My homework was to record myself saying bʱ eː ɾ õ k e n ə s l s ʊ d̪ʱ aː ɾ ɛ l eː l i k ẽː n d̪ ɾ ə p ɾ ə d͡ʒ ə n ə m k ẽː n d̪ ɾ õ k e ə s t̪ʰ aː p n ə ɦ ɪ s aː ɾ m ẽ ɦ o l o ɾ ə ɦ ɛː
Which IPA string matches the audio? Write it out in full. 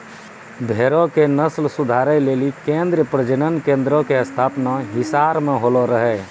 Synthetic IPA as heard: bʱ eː ɾ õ k e n ə s l s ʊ d̪ʱ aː ɾ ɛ l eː l i k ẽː n d̪ ɾ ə p ɾ ə d͡ʒ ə n ə n k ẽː n d̪ ɾ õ k e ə s t̪ʰ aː p n a ɦ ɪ s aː ɾ m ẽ ɦ o l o ɾ ə ɦ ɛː